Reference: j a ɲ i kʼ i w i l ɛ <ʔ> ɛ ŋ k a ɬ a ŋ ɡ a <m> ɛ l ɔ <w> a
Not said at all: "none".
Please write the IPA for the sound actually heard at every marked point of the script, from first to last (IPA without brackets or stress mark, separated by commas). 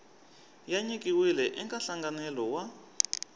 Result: ʔ, n, w